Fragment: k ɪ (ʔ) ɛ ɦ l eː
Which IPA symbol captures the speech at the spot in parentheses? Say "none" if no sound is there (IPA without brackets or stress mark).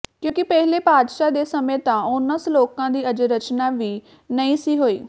p